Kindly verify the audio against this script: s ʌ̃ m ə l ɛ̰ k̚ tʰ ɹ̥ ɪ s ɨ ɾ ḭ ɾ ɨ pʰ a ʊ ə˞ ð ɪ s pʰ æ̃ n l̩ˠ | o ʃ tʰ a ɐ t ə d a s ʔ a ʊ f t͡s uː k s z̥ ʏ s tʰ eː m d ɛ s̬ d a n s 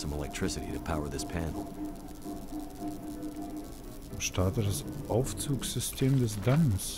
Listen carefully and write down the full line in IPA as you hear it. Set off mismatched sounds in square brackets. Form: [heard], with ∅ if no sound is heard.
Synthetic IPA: s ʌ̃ m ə l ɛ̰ k̚ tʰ ɹ̥ ɪ s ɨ ɾ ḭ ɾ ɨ pʰ a ʊ ə˞ ð ɪ s pʰ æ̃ n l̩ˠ | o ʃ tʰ a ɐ t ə d a s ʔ a ʊ f t͡s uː k s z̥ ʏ s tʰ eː m d ɛ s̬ d a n s